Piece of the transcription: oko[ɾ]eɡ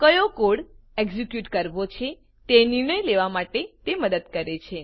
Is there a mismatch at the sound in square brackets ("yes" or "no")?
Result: yes